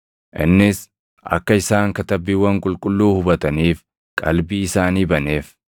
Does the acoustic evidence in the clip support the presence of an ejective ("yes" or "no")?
yes